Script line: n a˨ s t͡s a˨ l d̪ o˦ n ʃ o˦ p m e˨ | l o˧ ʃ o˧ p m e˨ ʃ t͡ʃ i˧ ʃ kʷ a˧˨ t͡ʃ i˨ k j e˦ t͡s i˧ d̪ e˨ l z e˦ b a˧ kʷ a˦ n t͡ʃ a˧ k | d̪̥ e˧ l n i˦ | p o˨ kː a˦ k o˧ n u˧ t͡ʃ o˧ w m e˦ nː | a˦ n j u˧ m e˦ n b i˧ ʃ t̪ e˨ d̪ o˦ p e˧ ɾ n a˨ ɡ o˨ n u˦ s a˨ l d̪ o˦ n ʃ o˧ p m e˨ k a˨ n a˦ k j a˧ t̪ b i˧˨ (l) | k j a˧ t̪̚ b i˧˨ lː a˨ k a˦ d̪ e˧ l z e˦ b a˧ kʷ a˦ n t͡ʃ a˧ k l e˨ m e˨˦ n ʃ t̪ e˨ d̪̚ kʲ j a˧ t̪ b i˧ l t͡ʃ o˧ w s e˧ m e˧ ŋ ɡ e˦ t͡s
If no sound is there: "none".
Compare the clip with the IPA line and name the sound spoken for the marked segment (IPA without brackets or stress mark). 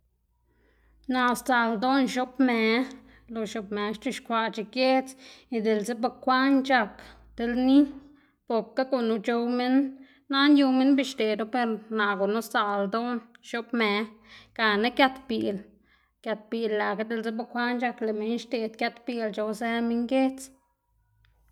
l